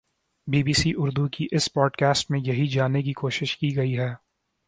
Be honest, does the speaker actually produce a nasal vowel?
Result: yes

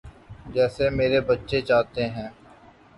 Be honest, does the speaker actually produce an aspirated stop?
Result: no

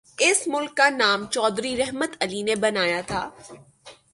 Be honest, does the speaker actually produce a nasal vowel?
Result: no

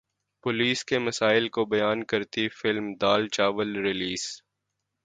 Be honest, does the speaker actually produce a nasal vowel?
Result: no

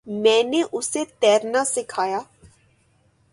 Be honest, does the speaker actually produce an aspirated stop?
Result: yes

